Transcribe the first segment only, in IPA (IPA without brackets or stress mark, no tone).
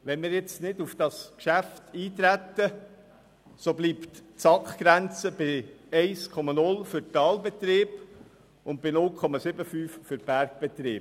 ʋ